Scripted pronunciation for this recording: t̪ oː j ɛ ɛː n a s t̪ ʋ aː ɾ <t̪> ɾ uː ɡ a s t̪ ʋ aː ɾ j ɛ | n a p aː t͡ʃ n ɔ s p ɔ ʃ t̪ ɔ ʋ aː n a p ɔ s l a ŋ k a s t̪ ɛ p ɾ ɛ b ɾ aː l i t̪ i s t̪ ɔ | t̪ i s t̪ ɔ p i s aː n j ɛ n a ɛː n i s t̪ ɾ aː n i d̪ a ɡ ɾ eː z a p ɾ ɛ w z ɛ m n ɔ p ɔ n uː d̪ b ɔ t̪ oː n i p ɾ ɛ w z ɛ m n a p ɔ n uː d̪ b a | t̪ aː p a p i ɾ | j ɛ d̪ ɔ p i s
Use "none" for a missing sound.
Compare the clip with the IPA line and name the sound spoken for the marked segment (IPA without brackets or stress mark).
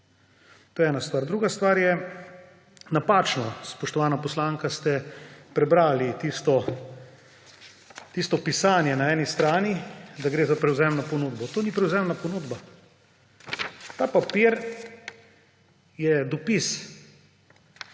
d̪